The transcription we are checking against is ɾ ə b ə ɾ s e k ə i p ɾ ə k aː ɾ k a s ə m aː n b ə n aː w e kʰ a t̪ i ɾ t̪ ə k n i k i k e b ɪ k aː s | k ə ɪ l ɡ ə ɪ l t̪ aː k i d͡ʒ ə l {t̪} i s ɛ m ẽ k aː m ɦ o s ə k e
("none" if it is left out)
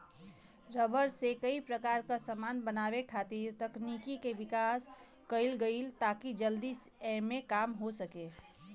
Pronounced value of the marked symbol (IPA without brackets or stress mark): d̪